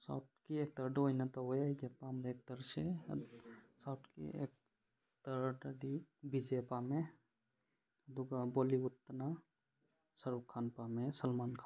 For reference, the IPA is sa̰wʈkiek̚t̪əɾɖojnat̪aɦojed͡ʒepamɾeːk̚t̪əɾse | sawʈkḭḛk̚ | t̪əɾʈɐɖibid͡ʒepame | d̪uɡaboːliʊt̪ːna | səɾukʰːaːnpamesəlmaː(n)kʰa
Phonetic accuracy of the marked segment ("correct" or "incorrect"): correct